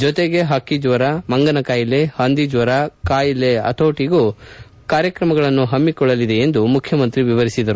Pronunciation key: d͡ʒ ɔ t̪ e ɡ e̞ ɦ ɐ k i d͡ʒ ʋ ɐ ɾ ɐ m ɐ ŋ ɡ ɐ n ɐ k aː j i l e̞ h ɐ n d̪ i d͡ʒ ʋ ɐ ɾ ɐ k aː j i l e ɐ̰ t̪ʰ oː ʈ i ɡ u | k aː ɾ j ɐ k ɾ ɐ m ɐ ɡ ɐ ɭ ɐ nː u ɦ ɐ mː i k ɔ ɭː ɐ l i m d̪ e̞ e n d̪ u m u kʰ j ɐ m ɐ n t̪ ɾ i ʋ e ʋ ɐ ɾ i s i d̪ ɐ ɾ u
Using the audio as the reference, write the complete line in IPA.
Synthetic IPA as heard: d͡ʒ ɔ t̪ e ɡ e̞ ɦ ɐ k i d͡ʒ ʋ ɐ ɾ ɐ m ɐ ŋ ɡ ɐ n ɐ k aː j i l e̞ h ɐ n d̪ i d͡ʒ ʋ ɐ ɾ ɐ k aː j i l e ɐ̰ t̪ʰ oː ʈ i ɡ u | k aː ɾ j ɐ k ɾ ɐ m ɐ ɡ ɐ ɭ ɐ nː u ɦ ɐ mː i k ɔ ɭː ɐ l i d̪ e̞ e n d̪ u m u kʰ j ɐ m ɐ n t̪ ɾ i ʋ i ʋ ɐ ɾ i s i d̪ ɐ ɾ u